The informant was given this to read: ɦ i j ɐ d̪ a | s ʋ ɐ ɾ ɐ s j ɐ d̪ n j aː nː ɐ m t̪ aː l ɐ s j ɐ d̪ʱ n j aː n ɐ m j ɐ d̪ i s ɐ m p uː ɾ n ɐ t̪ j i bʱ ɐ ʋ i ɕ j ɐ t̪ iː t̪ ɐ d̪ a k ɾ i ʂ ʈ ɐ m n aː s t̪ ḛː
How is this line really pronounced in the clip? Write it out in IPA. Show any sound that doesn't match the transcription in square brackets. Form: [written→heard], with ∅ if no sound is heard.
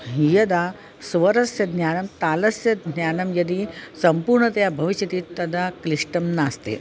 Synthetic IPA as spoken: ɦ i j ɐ d̪ a | s ʋ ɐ ɾ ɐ s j ɐ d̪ n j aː [nː→n] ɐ m t̪ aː l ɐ s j ɐ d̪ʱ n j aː n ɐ m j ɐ d̪ i s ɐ m p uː ɾ [n→ɳ] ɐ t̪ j [i→a] bʱ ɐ ʋ i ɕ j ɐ t̪ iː t̪ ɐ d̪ a k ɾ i ʂ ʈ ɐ m n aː s t̪ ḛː

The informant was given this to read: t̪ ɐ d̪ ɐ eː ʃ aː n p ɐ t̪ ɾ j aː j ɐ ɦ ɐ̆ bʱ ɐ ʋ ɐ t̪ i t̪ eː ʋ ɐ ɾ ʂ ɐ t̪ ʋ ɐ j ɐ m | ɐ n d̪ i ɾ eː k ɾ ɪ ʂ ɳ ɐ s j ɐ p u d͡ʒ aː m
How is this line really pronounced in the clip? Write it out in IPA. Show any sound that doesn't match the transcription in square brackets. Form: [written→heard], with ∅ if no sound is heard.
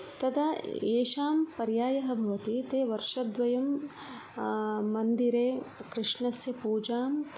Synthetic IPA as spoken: t̪ ɐ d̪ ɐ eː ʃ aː [n→m] p ɐ [t̪→∅] ɾ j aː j ɐ ɦ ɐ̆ bʱ ɐ ʋ ɐ t̪ i t̪ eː ʋ ɐ ɾ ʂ ɐ [t̪→d̪] ʋ ɐ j ɐ m | ɐ n d̪ i ɾ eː k ɾ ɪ ʂ ɳ ɐ s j ɐ p [u→uː] d͡ʒ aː m

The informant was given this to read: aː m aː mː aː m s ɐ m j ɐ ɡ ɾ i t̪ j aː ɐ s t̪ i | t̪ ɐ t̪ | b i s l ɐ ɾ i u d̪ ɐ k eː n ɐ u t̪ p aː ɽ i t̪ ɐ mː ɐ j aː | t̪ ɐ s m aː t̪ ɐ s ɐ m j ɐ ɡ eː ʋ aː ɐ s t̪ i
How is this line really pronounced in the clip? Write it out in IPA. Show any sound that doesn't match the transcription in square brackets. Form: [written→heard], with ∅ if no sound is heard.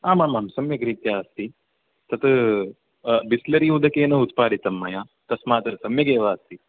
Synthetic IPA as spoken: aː m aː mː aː m s ɐ m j ɐ ɡ ɾ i t̪ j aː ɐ s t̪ i | t̪ ɐ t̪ | b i s l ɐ ɾ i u d̪ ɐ k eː n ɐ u t̪ p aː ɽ i t̪ ɐ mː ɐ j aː | t̪ ɐ s m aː t̪ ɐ s ɐ m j ɐ ɡ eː ʋ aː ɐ s t̪ i

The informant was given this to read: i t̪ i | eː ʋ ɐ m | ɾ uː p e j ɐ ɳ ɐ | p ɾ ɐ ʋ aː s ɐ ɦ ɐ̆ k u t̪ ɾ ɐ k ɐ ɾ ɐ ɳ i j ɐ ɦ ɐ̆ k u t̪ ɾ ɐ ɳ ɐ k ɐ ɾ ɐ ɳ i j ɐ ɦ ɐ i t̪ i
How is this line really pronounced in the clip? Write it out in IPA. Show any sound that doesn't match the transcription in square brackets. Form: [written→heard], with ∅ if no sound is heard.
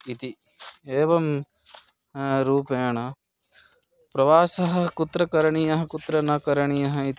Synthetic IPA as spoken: i t̪ i | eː ʋ ɐ m | ɾ uː p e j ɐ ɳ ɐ | p ɾ ɐ ʋ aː s ɐ ɦ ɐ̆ k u t̪ ɾ ɐ k ɐ ɾ ɐ ɳ i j ɐ ɦ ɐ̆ k u t̪ ɾ ɐ [ɳ→n] ɐ k ɐ ɾ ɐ ɳ i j ɐ ɦ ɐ i t̪ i

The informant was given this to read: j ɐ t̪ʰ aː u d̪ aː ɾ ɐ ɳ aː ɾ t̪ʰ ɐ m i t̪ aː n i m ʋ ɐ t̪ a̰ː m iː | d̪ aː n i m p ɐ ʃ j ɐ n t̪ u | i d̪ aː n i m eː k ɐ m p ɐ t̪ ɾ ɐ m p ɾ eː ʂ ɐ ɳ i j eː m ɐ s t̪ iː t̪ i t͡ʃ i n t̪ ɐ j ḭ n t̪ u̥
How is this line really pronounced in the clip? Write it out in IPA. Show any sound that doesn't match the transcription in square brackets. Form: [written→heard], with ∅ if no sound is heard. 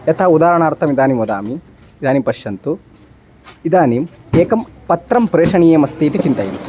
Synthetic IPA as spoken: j ɐ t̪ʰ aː u d̪ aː ɾ ɐ ɳ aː ɾ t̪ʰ ɐ m i [t̪→d̪] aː n i m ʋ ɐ [t̪→d̪] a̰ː m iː | d̪ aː n i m p ɐ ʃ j ɐ n t̪ u | i d̪ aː n i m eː k ɐ m p ɐ t̪ ɾ ɐ m p ɾ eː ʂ ɐ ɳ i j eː m ɐ s t̪ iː t̪ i t͡ʃ i n t̪ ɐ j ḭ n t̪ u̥

